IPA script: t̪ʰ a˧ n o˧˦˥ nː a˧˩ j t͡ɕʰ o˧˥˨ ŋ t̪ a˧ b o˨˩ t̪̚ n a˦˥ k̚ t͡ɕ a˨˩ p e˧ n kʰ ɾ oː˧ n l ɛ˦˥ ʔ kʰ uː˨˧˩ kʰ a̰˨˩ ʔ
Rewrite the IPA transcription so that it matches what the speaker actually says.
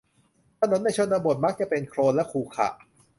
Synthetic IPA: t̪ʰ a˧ n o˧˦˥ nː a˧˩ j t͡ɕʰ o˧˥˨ n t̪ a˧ b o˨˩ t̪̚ m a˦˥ k̚ t͡ɕ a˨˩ p e˧ n kʰ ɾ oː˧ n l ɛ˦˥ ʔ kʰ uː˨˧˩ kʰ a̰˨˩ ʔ